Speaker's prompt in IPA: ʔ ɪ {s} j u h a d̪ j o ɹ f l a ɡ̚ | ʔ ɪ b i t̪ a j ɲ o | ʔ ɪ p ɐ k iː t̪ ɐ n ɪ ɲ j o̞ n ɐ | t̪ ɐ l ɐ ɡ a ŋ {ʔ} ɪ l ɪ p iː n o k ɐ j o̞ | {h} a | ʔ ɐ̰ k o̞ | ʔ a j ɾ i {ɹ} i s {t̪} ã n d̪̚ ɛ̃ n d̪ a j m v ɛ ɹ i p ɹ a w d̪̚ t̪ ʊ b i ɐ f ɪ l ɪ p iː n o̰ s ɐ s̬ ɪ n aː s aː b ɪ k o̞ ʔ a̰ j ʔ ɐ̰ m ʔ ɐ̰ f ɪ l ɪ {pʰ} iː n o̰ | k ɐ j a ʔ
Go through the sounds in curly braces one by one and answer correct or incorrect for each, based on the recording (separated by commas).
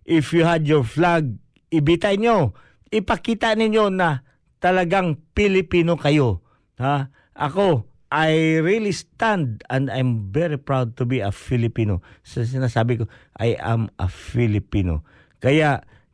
incorrect, incorrect, correct, incorrect, correct, incorrect